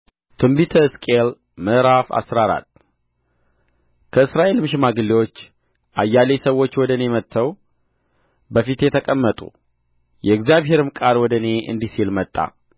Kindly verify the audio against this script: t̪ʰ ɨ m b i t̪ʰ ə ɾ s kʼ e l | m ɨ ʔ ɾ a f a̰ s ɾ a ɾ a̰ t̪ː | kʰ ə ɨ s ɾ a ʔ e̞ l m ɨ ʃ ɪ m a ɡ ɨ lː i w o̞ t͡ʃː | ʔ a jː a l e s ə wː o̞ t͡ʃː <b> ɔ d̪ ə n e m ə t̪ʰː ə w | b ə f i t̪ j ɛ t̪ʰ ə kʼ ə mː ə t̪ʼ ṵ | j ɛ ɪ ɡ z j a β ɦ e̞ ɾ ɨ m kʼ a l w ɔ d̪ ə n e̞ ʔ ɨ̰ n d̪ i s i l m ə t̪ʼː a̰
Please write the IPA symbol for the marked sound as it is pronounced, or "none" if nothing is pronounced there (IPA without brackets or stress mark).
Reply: w